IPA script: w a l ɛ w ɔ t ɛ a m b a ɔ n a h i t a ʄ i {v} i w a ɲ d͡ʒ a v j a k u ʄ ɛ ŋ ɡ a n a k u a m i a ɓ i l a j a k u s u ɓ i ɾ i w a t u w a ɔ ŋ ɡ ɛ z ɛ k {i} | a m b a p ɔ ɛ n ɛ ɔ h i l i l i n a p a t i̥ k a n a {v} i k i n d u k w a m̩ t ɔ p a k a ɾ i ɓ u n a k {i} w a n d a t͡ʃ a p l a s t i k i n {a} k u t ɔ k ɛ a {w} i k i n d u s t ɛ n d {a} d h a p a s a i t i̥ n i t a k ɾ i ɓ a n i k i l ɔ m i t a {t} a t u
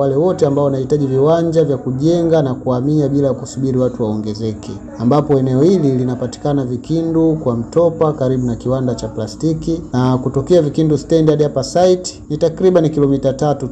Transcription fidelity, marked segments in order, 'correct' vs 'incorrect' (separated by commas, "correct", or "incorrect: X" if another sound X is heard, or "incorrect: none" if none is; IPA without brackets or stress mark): correct, incorrect: ɛ, correct, correct, correct, incorrect: v, correct, correct